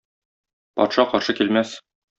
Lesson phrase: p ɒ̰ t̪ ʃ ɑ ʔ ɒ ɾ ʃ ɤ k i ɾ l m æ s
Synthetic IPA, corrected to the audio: p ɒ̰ t̪ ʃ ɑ q ɒ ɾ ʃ ɤ k i l m æ s